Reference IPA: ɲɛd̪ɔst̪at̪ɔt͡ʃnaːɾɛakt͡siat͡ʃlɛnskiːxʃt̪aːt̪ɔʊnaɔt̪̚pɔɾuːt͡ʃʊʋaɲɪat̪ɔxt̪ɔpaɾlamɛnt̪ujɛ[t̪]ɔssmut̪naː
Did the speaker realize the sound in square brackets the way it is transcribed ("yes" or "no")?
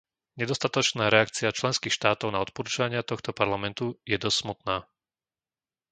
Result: no